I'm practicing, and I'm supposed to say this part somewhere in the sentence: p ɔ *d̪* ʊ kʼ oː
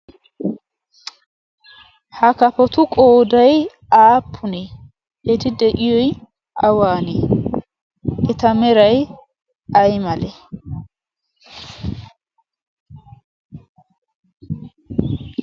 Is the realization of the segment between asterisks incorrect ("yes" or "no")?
yes